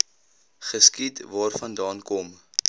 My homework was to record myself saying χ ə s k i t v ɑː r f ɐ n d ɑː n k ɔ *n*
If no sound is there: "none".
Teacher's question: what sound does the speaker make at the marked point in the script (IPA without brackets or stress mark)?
m